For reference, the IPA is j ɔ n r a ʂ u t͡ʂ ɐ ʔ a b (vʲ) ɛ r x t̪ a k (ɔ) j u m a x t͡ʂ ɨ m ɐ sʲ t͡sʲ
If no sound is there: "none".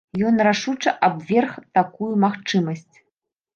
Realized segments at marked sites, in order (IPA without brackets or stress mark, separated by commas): vʲ, u